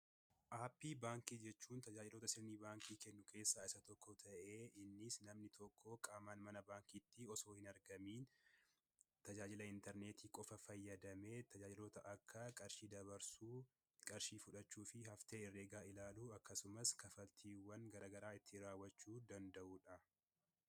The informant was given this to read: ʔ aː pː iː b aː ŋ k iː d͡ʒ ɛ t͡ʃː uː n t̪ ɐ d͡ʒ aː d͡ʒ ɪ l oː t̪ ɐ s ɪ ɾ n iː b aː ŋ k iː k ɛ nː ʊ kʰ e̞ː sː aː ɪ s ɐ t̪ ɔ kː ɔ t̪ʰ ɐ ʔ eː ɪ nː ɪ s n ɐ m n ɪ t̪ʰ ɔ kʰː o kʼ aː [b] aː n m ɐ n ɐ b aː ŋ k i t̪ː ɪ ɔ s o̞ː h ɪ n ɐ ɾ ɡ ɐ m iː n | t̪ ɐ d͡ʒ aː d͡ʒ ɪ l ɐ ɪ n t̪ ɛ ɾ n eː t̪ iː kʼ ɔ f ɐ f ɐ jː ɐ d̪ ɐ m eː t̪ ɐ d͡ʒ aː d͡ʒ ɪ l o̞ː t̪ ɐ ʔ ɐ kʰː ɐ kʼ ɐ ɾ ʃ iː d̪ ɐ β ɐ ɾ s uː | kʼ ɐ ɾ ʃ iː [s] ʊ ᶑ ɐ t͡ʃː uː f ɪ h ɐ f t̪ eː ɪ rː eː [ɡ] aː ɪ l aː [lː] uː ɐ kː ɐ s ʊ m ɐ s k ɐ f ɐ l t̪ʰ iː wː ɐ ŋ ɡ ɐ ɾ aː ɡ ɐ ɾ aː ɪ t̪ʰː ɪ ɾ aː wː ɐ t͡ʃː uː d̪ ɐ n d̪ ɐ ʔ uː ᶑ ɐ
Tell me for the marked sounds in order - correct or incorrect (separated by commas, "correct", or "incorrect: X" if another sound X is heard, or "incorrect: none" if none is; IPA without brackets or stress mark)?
incorrect: m, incorrect: f, correct, incorrect: l